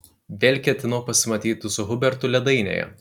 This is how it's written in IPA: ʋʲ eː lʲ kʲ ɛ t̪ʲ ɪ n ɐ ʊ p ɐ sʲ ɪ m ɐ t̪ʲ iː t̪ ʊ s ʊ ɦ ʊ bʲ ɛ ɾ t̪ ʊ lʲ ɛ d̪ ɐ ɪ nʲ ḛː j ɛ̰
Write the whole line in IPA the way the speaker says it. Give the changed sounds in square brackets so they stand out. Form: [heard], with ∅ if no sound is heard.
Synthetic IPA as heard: ʋʲ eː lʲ kʲ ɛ t̪ʲ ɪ n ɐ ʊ p ɐ sʲ ɪ m ɐ t̪ʲ iː t̪ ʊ s ʊ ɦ ʊ bʲ ɛ ɾ t̪ ʊ lʲ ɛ d̪ ɐ ɪ nʲ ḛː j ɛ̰